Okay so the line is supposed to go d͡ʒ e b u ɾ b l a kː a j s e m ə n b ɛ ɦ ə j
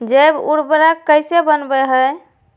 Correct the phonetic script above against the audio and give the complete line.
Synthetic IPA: d͡ʒ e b u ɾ b ɾ a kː ə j s e b ə n b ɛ ɦ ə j

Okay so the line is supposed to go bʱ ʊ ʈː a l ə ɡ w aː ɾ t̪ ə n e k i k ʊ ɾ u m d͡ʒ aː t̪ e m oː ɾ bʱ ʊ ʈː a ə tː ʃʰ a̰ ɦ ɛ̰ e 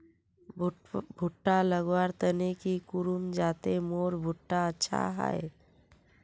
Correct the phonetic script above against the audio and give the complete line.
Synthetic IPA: bʱ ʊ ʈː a l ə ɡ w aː ɾ t̪ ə n e k i k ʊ ɾ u m d͡ʒ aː t̪ e m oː ɾ bʱ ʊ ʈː a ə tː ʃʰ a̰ ɦ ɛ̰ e

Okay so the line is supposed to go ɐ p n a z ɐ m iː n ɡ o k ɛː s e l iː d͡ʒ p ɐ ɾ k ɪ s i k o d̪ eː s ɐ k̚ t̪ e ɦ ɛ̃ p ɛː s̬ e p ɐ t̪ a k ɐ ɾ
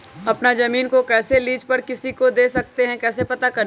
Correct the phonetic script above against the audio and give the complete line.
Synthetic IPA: ɐ p n a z ɐ m iː n k o k ɛː s e l iː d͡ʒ p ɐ ɾ k ɪ s i k o d̪ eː s ɐ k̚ t̪ e ɦ ɛ̃ k ɛː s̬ e p ɐ t̪ a k ɐ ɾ

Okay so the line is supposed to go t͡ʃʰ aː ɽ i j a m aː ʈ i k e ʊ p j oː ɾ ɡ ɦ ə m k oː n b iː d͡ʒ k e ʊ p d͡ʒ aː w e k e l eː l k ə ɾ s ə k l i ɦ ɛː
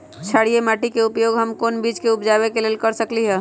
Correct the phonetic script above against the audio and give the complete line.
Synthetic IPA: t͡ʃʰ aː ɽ i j e m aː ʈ i k e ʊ p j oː ɡ ɦ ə m k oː n b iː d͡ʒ k e ʊ p d͡ʒ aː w e k e l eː l k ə ɾ s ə k l i ɦ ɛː

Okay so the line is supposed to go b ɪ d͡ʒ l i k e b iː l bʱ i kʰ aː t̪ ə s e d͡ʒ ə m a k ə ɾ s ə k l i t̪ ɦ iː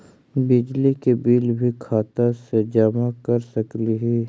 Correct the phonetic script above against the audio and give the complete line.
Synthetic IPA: b ɪ d͡ʒ l i k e b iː l bʱ i kʰ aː t̪ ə s e d͡ʒ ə m a k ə ɾ s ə k l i ɦ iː

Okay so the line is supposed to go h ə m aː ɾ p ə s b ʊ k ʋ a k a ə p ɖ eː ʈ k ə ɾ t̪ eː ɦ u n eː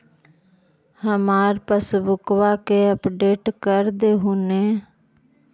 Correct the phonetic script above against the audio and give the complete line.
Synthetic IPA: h ə m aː ɾ p ə s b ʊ k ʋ a k e ə p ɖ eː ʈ k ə ɾ d̪ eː ɦ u n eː

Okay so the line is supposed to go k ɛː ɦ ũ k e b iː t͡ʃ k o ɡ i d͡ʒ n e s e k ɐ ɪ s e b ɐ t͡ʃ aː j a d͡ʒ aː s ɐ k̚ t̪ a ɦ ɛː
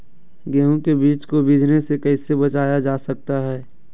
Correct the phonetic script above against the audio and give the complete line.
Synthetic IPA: ɡ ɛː ɦ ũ k e b iː t͡ʃ k o b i d͡ʒ n e s e k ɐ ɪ s e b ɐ t͡ʃ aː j a d͡ʒ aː s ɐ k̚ t̪ a ɦ ɛː

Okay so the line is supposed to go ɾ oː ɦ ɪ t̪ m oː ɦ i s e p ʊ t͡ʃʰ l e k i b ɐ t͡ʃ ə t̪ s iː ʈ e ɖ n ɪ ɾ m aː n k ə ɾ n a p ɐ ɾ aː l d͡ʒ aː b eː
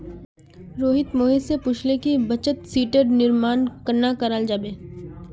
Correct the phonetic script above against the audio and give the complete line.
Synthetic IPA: ɾ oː ɦ ɪ t̪ m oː ɦ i s e p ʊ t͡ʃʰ l e k i b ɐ t͡ʃ ə t̪ s iː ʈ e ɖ n ɪ ɾ m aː n k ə ɾ n a k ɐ ɾ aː l d͡ʒ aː b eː

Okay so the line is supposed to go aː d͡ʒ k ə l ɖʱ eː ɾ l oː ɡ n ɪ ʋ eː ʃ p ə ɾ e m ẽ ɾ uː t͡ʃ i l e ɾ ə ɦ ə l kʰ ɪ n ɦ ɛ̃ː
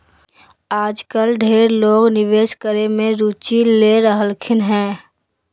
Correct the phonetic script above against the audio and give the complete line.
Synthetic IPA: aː d͡ʒ k ə l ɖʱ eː ɾ l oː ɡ n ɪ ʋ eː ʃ k ə ɾ e m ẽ ɾ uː t͡ʃ i l e ɾ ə ɦ ə l kʰ ɪ n ɦ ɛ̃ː

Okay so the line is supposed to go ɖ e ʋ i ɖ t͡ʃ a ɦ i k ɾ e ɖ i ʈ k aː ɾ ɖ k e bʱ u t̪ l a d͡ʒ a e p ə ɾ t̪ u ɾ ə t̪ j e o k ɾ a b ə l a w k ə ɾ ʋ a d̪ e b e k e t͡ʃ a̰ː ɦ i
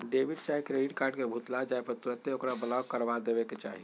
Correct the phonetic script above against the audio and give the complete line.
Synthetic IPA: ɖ e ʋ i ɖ t͡ʃ a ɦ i k ɾ e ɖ i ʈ k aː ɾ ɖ k e bʱ u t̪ l a d͡ʒ a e p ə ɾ t̪ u ɾ ə t̪ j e o k ɾ a b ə l a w k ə ɾ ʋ a d̪ e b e k e t͡ʃ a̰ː ɦ i

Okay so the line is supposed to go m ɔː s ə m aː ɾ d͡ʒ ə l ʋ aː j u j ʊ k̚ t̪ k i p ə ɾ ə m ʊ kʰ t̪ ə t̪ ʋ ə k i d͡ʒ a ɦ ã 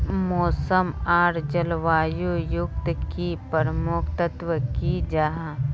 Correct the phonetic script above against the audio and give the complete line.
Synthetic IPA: m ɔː s ə m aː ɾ d͡ʒ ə l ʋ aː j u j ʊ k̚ t̪ k i p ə ɾ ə m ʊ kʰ t̪ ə t̪ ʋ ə k i d͡ʒ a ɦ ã

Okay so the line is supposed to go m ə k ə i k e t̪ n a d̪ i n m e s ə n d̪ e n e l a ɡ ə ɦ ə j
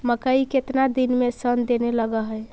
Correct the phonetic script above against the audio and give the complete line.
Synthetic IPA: m ə k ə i k e t̪ n a d̪ i n m e s ə n d̪ e n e l ə ɡ ə ɦ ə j

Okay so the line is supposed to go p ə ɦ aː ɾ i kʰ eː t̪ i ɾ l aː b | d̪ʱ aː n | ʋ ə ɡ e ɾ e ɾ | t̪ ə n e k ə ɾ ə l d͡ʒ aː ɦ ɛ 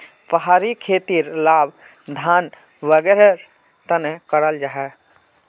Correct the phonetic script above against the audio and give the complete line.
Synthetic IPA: p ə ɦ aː ɾ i kʰ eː t̪ i ɾ l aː b | d̪ʱ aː n | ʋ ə ɡ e ɾ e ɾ | t̪ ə n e k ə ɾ ə l d͡ʒ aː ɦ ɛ

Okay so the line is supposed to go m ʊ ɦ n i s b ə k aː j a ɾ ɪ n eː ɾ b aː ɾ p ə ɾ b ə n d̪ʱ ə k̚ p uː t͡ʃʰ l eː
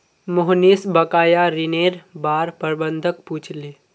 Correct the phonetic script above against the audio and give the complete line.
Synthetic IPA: m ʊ ɦ n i s b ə k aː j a ɾ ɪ n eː ɾ b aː ɾ p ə ɾ b ə n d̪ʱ ə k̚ p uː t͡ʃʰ l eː

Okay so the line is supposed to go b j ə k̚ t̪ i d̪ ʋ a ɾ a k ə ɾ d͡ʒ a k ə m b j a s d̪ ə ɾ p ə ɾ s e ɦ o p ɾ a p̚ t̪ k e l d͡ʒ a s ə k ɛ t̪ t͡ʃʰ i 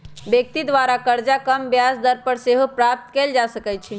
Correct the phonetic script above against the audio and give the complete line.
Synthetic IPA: b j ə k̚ t̪ i d̪ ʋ a ɾ a k ə ɾ d͡ʒ a k ə m b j a s d̪ ə ɾ p ə ɾ s e ɦ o p ɾ a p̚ t̪ k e l d͡ʒ a s ə k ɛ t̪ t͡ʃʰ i

